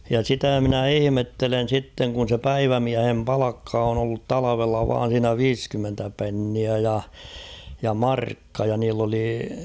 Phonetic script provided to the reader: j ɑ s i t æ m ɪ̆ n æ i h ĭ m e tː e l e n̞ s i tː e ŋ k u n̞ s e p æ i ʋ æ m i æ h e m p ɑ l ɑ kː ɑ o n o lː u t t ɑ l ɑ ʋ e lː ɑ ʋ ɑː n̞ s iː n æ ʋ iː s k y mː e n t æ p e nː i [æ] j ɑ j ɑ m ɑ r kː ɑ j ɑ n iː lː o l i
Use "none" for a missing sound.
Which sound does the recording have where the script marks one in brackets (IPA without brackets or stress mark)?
æ